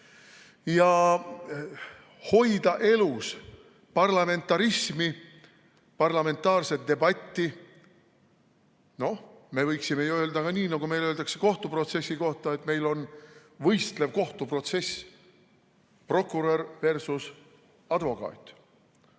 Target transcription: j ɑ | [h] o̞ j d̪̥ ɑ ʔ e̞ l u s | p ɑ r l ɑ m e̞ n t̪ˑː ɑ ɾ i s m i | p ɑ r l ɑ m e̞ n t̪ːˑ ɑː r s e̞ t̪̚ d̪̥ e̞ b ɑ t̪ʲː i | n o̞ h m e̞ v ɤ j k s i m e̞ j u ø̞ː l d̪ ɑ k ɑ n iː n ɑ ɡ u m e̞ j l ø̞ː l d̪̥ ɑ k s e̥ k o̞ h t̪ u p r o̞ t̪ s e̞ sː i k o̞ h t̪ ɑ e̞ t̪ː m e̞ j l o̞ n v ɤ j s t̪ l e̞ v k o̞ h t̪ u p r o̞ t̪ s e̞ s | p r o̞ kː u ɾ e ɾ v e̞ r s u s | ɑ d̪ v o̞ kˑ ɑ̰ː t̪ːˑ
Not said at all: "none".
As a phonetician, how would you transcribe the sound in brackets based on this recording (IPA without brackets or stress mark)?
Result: h